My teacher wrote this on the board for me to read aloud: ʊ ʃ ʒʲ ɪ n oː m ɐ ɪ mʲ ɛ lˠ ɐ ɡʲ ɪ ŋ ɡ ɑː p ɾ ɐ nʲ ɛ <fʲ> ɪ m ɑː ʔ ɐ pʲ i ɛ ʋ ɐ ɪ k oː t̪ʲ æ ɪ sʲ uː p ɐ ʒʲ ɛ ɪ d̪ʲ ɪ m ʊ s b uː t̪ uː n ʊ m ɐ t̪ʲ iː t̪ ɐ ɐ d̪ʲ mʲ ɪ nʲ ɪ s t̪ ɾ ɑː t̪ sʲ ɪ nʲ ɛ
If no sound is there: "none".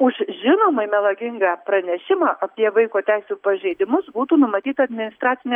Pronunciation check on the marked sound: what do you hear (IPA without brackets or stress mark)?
ʃʲ